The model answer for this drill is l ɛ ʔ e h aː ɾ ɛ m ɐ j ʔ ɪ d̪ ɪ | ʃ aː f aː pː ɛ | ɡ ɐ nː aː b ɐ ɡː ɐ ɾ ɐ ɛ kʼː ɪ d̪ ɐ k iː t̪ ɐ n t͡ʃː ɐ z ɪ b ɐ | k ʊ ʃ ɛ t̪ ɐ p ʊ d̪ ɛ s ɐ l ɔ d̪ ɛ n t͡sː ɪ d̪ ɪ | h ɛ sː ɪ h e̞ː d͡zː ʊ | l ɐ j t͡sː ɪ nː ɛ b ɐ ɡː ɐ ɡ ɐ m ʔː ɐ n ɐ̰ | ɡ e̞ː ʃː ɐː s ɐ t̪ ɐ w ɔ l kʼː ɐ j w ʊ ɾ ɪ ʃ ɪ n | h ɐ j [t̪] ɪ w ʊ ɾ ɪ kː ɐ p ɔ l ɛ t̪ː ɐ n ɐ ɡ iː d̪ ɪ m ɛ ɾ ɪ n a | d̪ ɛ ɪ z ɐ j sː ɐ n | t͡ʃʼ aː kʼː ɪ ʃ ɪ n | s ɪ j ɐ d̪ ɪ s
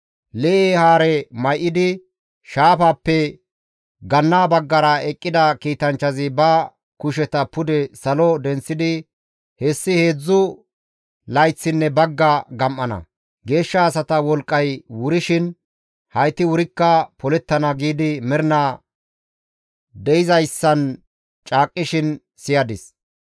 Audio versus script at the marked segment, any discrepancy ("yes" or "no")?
no